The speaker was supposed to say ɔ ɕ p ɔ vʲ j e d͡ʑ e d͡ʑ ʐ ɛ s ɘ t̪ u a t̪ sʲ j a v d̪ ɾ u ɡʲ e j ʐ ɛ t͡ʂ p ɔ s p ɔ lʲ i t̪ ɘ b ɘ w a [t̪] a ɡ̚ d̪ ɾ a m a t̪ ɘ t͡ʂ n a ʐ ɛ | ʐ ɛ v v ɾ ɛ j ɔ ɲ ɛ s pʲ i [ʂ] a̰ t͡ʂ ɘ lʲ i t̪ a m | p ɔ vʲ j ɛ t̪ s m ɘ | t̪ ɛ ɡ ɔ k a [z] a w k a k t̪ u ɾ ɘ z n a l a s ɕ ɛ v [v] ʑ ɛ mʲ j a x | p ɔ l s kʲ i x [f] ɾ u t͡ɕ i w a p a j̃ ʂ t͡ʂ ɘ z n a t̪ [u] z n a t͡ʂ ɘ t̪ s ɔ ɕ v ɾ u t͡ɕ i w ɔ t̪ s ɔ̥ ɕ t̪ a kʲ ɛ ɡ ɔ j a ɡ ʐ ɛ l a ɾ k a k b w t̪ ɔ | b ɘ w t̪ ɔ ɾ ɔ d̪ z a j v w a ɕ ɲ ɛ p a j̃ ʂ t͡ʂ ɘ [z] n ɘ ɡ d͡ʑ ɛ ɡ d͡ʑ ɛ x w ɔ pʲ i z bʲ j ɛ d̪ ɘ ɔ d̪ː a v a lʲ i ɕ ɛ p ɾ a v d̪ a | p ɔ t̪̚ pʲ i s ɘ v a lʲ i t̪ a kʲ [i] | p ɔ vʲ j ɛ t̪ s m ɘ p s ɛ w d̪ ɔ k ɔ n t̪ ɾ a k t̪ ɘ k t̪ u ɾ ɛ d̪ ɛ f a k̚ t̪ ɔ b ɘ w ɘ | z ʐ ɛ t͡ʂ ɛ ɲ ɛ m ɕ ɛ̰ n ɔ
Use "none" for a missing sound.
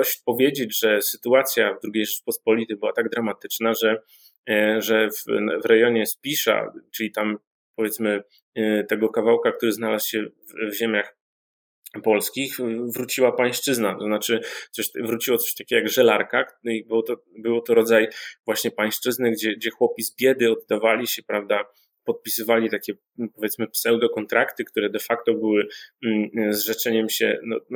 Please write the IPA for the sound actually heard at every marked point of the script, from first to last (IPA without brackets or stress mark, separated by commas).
t̪, ʂ, v, v, v, ɔ, z, ɛ